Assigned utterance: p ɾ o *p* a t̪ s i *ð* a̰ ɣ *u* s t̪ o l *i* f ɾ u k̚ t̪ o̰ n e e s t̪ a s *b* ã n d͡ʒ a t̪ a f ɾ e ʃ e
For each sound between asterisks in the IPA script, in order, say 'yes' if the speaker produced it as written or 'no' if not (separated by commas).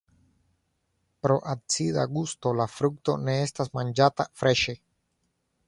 no, yes, yes, no, no